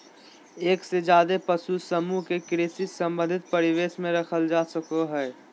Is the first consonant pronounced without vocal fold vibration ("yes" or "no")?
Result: yes